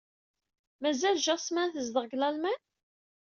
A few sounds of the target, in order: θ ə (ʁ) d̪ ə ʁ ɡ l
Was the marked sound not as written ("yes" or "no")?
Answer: yes